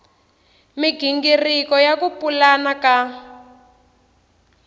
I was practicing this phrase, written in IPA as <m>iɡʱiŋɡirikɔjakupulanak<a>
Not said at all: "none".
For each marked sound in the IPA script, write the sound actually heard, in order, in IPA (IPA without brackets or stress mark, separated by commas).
m, a